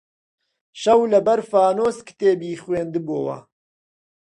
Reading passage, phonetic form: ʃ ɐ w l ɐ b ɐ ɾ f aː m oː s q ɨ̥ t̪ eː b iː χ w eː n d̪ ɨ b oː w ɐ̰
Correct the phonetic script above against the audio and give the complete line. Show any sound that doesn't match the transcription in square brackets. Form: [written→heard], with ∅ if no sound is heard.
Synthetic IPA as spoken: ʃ ɐ w l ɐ b ɐ ɾ f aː [m→n] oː s [q→k] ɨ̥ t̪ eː b iː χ w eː n d̪ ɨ b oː w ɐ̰